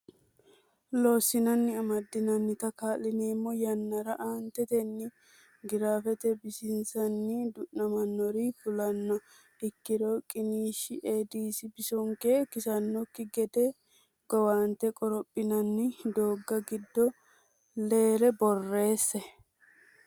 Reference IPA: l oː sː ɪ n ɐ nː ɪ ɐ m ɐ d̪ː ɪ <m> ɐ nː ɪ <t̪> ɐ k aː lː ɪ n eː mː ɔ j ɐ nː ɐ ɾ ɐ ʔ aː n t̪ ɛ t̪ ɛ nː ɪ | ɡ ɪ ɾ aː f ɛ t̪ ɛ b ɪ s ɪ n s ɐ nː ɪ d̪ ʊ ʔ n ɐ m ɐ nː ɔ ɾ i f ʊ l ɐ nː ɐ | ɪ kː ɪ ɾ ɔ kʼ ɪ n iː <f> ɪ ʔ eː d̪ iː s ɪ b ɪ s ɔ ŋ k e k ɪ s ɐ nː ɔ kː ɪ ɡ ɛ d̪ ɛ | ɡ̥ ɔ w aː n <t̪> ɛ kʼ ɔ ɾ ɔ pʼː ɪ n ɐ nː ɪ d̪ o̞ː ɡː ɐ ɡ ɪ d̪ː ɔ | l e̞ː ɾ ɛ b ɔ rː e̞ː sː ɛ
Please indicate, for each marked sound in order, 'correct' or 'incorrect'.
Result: incorrect, correct, incorrect, correct

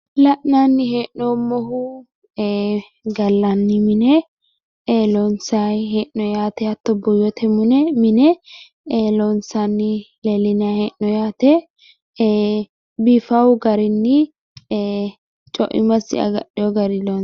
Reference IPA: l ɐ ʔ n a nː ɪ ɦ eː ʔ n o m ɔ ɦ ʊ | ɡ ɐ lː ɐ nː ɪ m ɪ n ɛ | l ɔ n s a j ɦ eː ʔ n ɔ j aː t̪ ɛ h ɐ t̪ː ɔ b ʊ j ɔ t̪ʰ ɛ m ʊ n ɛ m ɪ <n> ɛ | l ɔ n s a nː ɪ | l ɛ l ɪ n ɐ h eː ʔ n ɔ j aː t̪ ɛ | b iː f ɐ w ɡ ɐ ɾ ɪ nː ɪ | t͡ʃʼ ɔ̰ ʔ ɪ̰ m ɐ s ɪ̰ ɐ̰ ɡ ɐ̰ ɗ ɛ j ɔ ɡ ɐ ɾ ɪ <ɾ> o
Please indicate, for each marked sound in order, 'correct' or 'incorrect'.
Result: correct, incorrect

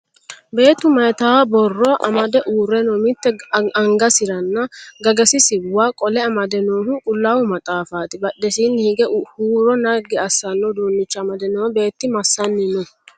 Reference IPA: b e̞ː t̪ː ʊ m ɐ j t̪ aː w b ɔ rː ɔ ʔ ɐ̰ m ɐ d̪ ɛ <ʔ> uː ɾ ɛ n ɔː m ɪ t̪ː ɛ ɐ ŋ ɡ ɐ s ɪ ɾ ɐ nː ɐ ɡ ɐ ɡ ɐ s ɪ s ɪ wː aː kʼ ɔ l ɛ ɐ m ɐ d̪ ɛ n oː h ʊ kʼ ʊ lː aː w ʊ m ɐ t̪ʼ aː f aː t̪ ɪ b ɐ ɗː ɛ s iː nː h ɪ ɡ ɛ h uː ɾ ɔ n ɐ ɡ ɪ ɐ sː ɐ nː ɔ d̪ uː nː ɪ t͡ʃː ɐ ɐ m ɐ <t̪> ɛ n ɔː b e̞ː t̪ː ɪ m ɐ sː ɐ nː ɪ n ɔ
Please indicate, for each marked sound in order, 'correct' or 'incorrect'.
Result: correct, incorrect

